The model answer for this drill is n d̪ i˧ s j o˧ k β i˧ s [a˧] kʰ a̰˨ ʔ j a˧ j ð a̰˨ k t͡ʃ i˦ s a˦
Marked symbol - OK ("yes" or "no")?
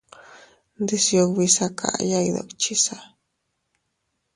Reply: yes